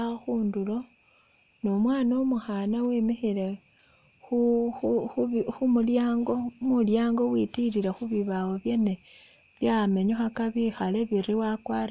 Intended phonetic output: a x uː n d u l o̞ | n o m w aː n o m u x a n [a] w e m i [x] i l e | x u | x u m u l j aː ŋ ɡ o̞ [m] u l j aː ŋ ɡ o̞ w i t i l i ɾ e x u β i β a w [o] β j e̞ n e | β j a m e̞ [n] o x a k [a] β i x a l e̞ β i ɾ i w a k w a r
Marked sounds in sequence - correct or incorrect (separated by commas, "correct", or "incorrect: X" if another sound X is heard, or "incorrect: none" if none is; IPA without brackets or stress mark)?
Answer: correct, correct, correct, correct, incorrect: ɲ, correct